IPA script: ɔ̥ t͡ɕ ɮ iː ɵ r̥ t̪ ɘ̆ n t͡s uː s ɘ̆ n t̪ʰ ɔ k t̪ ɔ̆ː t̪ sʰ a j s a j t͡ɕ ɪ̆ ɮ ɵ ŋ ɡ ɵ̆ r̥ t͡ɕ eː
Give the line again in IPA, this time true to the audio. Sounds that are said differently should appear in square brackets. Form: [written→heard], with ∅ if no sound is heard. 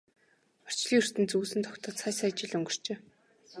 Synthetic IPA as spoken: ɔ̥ t͡ɕ ɮ iː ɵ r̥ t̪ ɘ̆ n t͡s uː s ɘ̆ n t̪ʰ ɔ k t̪ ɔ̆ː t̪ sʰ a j s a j t͡ɕ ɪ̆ ɮ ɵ ŋ ɡ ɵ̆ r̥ t͡ɕ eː